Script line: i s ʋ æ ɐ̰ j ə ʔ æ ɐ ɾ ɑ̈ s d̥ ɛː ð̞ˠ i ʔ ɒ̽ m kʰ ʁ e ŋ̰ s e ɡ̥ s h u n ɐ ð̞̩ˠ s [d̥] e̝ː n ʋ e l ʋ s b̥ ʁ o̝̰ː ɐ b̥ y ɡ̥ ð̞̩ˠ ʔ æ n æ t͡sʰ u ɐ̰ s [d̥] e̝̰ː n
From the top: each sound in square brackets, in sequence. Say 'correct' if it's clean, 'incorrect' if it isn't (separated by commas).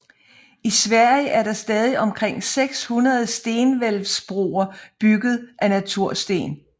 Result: correct, correct